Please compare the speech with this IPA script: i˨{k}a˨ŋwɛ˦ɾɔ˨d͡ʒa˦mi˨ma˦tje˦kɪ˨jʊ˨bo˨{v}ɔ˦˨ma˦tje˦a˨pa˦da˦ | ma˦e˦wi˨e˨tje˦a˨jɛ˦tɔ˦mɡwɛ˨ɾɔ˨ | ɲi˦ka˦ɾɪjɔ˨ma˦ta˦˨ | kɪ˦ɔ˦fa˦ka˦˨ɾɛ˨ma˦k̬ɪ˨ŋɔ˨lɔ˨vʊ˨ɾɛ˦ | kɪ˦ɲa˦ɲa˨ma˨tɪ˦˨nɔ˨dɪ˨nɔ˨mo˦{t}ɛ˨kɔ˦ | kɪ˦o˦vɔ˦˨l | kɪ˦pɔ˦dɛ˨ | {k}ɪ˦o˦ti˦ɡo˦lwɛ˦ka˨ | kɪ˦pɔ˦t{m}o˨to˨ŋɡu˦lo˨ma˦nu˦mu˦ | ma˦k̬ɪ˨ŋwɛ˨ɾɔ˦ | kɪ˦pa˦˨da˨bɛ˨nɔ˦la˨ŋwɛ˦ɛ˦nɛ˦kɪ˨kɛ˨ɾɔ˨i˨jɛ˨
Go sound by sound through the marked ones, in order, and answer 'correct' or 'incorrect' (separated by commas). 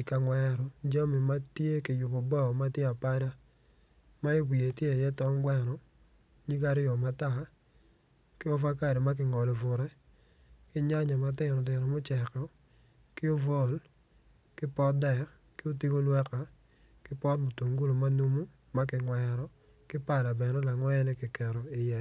correct, incorrect, incorrect, correct, correct